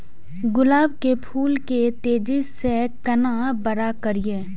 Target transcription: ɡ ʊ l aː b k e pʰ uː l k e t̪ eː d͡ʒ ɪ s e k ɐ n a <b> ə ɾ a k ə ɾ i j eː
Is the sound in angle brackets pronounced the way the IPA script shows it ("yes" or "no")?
yes